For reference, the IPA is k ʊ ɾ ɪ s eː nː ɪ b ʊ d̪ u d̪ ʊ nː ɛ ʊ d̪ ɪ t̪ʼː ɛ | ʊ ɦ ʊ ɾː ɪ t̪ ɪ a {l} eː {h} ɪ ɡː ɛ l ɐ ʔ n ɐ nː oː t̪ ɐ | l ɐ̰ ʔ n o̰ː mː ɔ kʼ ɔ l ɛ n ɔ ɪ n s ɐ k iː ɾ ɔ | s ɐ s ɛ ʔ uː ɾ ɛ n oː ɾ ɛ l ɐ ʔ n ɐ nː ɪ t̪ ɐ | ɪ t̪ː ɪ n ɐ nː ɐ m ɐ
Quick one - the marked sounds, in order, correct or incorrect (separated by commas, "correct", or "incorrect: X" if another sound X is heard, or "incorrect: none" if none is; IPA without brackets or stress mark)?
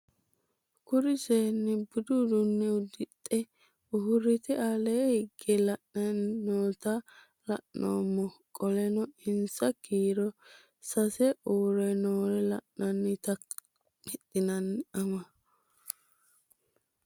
correct, correct